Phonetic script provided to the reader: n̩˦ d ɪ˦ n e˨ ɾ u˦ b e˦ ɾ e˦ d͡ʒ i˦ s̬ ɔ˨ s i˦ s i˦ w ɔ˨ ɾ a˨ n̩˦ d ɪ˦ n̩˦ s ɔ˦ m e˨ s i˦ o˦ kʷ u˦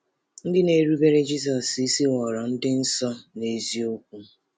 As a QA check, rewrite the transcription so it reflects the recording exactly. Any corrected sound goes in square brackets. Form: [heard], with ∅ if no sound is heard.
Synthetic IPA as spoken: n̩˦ d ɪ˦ n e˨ ɾ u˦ b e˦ ɾ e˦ d͡ʒ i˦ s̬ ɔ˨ s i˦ s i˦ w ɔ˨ ɾ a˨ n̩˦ d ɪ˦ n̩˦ s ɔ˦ [n] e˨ [z] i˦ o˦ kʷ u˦